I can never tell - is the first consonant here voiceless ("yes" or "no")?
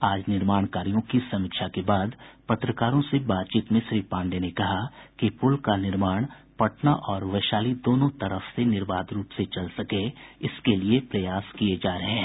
no